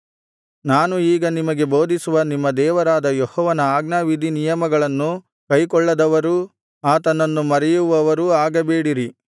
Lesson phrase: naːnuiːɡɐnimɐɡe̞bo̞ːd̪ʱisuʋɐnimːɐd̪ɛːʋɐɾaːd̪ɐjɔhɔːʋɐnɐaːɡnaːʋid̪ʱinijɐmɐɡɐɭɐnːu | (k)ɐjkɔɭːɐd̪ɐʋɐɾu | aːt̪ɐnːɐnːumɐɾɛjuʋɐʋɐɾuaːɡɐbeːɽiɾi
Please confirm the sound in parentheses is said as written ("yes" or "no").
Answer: yes